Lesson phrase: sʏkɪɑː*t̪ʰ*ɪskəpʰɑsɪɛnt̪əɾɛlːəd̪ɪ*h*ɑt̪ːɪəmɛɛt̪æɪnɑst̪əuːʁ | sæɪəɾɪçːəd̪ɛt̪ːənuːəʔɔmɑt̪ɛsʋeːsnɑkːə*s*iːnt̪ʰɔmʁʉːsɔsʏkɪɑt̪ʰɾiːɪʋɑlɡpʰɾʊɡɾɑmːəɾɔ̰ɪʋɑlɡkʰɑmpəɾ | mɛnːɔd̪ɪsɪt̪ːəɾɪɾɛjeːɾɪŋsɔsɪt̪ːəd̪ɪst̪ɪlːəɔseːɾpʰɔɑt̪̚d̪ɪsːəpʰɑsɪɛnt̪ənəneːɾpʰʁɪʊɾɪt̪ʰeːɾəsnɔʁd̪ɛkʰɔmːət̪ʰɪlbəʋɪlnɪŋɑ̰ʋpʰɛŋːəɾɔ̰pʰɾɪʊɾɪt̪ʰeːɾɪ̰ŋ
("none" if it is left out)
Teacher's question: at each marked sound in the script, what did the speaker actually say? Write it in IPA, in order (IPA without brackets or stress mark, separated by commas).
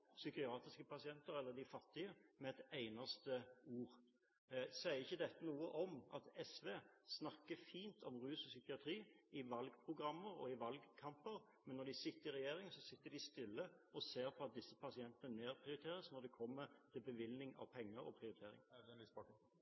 t̪, f, f